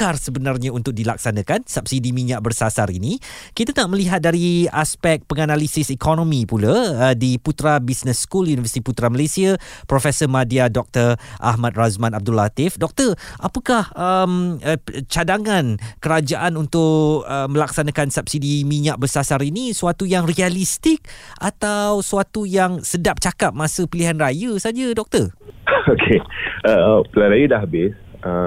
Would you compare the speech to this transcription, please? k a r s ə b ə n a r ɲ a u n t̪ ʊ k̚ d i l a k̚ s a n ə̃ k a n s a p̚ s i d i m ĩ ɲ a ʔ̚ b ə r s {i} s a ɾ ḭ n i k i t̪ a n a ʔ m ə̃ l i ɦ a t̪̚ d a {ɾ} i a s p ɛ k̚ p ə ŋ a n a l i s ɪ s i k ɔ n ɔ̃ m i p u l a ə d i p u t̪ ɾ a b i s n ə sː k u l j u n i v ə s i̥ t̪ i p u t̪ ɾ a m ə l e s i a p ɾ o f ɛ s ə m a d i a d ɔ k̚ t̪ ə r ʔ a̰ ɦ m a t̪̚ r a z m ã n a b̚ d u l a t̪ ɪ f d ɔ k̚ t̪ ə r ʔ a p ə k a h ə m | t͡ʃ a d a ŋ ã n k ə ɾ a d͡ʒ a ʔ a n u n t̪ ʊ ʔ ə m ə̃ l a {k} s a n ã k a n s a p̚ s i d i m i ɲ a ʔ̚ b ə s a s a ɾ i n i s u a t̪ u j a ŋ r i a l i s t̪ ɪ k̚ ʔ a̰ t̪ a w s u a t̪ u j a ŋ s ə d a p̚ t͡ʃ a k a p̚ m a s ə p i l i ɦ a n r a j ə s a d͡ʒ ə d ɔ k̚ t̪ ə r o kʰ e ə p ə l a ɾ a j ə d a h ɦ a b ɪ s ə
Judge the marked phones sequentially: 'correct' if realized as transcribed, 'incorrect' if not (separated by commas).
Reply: incorrect, correct, correct